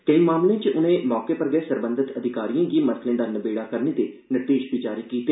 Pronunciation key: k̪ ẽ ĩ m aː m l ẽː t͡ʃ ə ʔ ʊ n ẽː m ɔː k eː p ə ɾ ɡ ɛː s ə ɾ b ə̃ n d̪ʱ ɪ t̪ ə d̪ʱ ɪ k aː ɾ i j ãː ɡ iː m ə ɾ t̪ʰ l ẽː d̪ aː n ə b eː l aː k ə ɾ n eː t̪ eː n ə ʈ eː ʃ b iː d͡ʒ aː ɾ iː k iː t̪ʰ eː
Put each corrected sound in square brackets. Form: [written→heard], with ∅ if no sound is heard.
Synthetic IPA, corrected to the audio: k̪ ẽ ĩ m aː m l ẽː t͡ʃ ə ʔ ʊ n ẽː m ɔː k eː p ə ɾ ɡ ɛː s ə ɾ b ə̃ n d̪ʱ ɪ t̪ ə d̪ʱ ɪ k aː ɾ i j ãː ɡ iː m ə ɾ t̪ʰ l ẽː d̪ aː n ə b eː [l→ɽ] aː k ə ɾ n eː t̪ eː n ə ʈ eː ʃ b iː d͡ʒ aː ɾ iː k iː [t̪ʰ→t̪] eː

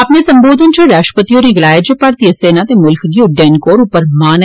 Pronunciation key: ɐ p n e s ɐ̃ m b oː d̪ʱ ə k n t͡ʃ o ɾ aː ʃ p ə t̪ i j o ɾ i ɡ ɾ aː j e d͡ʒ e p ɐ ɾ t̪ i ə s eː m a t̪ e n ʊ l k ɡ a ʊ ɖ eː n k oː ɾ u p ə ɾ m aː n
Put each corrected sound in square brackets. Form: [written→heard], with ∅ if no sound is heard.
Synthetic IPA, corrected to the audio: ɐ p n e s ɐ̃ m b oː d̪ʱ ə [k→∅] n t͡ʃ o ɾ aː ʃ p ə t̪ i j o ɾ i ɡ [ɾ→l] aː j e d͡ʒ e p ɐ ɾ t̪ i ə s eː [m→n] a t̪ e [n→m] ʊ l k ɡ [a→i] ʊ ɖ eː n k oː ɾ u p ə ɾ m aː n

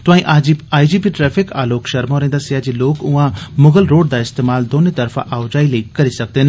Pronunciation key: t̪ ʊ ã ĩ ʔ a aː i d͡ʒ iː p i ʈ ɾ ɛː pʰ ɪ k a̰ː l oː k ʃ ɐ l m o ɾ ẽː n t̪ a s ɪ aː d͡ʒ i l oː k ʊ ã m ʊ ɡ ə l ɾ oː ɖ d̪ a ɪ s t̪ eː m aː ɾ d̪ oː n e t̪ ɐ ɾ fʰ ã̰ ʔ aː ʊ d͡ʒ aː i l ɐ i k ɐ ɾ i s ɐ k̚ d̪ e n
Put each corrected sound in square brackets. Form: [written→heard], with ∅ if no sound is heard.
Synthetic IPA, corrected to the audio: t̪ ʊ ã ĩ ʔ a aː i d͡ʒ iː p i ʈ ɾ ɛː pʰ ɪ k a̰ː l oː k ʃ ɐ [l→ɾ] m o ɾ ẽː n [t̪→d̪] a s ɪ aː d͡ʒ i l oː k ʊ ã m ʊ ɡ ə l ɾ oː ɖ d̪ a ɪ s t̪ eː m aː [ɾ→l] d̪ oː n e t̪ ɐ ɾ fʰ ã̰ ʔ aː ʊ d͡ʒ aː i l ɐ i k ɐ ɾ i s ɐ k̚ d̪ e n

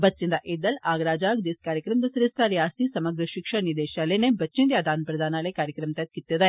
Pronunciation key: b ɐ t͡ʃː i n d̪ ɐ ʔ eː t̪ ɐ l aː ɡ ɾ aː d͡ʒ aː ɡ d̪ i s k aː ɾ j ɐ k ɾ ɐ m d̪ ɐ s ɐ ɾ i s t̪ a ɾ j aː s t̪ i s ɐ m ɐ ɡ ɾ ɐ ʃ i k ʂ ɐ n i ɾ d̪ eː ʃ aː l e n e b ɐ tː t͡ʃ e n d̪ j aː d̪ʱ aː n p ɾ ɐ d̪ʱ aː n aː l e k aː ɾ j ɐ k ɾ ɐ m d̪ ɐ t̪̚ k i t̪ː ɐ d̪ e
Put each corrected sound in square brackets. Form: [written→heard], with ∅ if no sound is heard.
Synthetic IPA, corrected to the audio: b ɐ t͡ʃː i n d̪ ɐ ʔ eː [t̪→d̪] ɐ l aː ɡ ɾ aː d͡ʒ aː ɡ d̪ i s k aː ɾ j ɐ k ɾ ɐ m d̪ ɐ s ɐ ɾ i s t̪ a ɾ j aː s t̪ i s ɐ m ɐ ɡ ɾ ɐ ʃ i k ʂ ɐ n i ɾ d̪ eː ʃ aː l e n e b ɐ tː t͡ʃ [e→i] n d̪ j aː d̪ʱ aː n p ɾ ɐ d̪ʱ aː n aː l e k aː ɾ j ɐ k ɾ ɐ m [d̪→t̪] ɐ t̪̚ k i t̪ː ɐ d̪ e

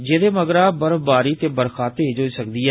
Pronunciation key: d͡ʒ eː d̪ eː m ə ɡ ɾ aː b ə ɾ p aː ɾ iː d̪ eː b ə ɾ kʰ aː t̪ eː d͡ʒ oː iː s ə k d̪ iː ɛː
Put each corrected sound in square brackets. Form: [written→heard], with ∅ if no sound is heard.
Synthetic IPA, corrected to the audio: d͡ʒ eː d̪ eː m ə ɡ ɾ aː b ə ɾ [p→b] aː ɾ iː [d̪→t̪] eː b ə ɾ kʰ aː t̪ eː d͡ʒ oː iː s ə k d̪ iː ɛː

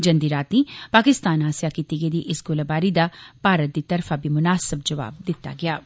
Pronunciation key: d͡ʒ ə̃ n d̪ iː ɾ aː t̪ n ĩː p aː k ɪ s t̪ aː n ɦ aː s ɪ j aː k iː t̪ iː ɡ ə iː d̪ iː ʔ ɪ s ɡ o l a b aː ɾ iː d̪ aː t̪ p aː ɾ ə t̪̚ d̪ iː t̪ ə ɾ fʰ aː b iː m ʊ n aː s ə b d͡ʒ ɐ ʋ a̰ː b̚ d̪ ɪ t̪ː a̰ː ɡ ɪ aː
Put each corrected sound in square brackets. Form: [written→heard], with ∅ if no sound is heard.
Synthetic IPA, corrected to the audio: d͡ʒ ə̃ n d̪ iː ɾ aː t̪ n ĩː p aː k ɪ s t̪ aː n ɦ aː s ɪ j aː k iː t̪ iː ɡ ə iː d̪ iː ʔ ɪ s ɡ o l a b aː ɾ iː d̪ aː [t̪→∅] p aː ɾ ə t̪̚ d̪ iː t̪ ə ɾ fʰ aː b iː m ʊ n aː s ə b d͡ʒ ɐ ʋ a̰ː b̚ d̪ ɪ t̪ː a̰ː ɡ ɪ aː

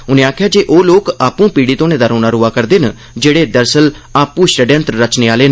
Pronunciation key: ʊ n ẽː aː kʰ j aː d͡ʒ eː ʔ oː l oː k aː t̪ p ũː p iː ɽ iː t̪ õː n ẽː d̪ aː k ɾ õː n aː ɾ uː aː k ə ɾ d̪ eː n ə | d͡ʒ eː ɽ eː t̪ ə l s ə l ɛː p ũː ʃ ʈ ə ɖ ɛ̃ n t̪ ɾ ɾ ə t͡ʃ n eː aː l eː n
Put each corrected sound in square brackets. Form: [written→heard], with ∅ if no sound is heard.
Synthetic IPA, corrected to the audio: ʊ n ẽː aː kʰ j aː d͡ʒ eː ʔ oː l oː k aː [t̪→∅] p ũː p iː ɽ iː t̪ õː n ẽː d̪ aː [k→∅] ɾ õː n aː ɾ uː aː k ə ɾ d̪ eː n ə | d͡ʒ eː ɽ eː [t̪→d̪] ə [l→ɾ] s ə l [ɛː→aː] p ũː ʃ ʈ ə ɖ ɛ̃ n t̪ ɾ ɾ ə t͡ʃ n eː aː l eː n

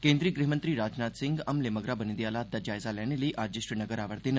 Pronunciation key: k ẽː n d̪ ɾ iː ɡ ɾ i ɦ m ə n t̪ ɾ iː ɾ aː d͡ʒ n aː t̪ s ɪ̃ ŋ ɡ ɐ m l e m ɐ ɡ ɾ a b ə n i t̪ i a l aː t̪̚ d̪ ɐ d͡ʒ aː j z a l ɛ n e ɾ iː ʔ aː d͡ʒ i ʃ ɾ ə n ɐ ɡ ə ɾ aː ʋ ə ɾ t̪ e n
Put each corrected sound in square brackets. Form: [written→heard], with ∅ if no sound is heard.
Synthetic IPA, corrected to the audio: k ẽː n d̪ ɾ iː ɡ ɾ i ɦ m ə n t̪ ɾ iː ɾ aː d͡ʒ n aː t̪ s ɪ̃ ŋ ɡ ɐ m l e m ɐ ɡ ɾ a b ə n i [t̪→d̪] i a l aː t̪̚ d̪ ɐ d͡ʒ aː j z a l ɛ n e [ɾ→l] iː ʔ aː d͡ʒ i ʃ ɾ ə n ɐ ɡ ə ɾ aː ʋ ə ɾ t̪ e n

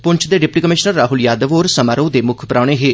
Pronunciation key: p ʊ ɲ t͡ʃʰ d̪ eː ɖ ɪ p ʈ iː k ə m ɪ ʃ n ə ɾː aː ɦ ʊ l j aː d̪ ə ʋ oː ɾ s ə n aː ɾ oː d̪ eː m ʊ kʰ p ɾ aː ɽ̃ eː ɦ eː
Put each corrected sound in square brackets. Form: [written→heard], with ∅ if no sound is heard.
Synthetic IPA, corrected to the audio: p ʊ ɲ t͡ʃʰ d̪ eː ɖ ɪ p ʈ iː k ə m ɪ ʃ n ə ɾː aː ɦ ʊ l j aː d̪ ə ʋ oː ɾ s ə [n→m] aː ɾ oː d̪ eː m ʊ kʰ p ɾ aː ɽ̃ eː ɦ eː

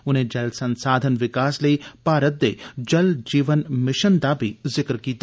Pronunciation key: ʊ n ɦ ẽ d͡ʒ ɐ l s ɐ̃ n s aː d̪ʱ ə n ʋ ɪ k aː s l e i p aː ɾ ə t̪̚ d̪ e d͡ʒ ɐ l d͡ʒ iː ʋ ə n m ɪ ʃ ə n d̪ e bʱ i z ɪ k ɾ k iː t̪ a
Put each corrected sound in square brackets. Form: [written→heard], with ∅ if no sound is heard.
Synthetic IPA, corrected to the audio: ʊ n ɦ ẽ d͡ʒ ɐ l s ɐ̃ n s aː d̪ʱ ə n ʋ ɪ k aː s l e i p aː ɾ ə t̪̚ d̪ e d͡ʒ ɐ l d͡ʒ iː ʋ ə n m ɪ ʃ ə n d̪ [e→a] bʱ i z ɪ k ɾ k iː t̪ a

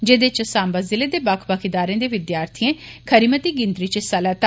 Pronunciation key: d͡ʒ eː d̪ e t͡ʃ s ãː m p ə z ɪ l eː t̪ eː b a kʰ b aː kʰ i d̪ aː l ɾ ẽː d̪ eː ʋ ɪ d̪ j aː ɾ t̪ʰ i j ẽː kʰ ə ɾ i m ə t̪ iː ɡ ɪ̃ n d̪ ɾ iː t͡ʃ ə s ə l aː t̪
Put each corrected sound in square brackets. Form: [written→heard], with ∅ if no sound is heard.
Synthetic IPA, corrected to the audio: d͡ʒ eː d̪ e t͡ʃ s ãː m [p→b] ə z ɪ l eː [t̪→d̪] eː b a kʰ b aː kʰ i d̪ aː [l→∅] ɾ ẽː d̪ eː ʋ ɪ d̪ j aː ɾ t̪ʰ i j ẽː kʰ ə ɾ i m ə t̪ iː ɡ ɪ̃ n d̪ ɾ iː t͡ʃ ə s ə l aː t̪

